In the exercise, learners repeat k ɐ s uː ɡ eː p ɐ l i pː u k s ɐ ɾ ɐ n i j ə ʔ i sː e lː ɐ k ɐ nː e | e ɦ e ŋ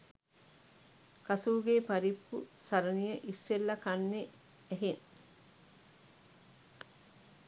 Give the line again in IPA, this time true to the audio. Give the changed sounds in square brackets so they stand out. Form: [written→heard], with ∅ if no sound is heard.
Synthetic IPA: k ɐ s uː ɡ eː p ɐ [l→ɾ] i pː u [k→∅] s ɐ ɾ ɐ n i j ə ʔ i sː e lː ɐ k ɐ nː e | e ɦ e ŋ